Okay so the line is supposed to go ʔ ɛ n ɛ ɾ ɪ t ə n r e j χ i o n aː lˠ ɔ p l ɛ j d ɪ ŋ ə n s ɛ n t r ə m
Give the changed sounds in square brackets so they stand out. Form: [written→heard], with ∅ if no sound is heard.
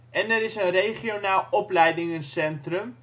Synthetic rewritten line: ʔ ɛ n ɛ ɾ ɪ [t→s] ə n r e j χ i o n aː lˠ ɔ p l ɛ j d ɪ ŋ ə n s ɛ n t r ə m